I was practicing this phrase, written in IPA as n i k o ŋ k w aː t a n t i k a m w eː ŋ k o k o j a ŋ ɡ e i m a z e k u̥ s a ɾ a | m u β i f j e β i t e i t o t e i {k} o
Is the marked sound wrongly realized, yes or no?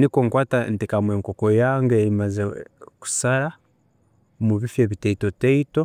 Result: yes